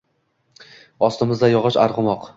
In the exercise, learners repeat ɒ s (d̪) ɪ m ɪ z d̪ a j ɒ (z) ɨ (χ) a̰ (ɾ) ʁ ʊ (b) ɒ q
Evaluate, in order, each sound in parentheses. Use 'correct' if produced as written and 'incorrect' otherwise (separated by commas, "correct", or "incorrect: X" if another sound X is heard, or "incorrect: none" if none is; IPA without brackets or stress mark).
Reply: incorrect: t̪, incorrect: ʁ, incorrect: ʃ, correct, incorrect: m